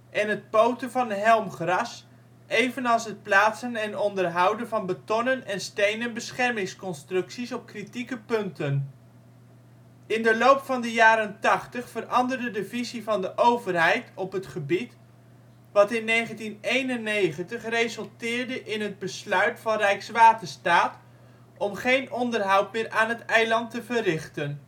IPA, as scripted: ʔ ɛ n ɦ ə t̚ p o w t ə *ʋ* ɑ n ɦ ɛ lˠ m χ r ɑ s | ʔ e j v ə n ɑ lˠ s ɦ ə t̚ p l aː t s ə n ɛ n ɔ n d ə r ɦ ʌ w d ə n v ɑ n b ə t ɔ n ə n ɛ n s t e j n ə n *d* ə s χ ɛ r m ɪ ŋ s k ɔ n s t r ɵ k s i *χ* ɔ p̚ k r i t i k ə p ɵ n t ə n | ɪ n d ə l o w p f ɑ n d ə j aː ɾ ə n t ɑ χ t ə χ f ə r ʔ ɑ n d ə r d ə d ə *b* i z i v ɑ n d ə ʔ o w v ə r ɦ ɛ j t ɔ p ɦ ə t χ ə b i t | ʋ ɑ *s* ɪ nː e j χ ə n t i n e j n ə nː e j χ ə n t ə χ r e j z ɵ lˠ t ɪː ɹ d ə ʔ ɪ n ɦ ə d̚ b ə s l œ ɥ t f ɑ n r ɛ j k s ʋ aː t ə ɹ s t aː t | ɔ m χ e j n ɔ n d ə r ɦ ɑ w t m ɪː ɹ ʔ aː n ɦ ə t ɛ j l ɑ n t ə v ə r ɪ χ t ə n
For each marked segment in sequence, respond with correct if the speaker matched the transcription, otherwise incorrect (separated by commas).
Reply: incorrect, incorrect, incorrect, incorrect, incorrect